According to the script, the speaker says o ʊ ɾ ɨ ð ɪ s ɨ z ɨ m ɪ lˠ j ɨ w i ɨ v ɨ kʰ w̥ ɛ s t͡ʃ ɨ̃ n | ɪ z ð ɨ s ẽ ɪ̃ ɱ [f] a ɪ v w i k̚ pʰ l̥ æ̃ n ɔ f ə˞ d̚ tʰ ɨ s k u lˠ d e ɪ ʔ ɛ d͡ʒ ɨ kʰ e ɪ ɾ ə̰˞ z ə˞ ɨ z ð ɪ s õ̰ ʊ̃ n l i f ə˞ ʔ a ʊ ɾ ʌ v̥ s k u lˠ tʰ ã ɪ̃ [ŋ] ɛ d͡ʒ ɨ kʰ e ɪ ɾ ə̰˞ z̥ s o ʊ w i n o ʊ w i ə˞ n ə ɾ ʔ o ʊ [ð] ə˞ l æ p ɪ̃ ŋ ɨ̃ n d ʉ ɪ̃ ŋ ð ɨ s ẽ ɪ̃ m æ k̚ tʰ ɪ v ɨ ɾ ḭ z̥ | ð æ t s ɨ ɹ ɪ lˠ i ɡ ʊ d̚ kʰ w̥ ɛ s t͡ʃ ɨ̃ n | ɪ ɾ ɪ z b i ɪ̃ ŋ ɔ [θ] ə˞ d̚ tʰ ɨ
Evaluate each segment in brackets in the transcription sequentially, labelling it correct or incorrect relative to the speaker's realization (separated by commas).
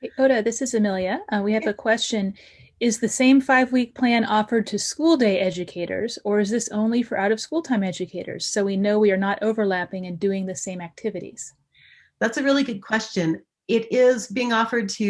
correct, incorrect, incorrect, incorrect